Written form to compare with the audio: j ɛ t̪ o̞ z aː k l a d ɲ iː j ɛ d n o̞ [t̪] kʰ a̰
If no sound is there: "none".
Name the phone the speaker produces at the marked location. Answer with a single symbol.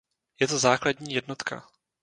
t̪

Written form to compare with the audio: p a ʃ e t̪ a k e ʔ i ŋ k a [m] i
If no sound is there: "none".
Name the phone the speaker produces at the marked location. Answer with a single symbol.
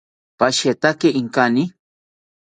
n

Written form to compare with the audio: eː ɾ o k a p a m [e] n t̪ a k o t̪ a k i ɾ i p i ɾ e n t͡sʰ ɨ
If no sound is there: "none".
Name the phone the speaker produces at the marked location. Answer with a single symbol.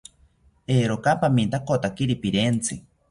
i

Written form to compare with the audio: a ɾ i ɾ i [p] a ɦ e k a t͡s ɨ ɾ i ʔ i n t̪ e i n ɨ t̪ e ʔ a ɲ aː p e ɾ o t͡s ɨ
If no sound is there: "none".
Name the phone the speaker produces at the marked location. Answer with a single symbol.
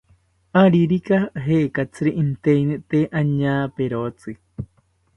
k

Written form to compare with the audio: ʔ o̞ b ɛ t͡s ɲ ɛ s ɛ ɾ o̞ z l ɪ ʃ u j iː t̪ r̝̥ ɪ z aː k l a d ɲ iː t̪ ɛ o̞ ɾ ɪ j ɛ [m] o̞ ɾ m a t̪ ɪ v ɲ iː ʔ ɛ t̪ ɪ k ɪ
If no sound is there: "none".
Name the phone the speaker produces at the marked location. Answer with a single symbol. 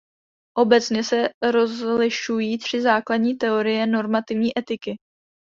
n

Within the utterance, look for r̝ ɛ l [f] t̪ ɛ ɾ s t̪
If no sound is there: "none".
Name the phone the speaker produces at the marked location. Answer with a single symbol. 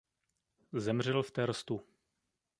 f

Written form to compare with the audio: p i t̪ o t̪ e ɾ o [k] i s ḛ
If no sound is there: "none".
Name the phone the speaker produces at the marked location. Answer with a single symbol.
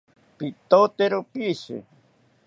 p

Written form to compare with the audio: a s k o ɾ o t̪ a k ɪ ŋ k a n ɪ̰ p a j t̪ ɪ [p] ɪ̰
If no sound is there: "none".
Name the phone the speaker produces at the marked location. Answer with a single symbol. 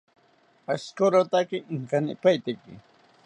k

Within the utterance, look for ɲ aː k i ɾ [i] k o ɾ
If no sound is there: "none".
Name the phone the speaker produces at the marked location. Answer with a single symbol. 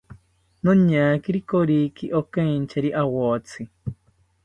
i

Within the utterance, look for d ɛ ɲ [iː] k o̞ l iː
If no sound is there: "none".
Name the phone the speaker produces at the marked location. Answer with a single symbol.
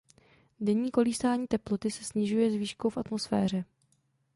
iː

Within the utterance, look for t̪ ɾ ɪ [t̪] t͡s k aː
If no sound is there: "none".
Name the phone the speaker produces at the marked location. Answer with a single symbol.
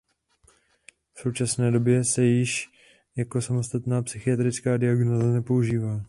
none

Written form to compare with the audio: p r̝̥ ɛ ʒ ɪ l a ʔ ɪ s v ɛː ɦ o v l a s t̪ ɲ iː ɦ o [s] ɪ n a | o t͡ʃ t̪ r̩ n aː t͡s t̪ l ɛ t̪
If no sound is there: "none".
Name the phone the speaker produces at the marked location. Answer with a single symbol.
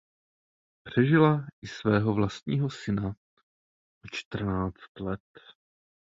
s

